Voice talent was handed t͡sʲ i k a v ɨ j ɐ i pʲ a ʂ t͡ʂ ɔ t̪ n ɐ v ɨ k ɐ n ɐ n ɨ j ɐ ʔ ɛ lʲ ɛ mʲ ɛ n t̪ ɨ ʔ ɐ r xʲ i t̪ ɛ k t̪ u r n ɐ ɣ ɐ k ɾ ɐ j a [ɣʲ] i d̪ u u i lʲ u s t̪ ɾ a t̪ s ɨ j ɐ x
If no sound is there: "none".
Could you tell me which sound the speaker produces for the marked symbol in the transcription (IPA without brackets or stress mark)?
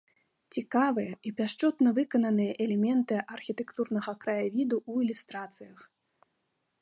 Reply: vʲ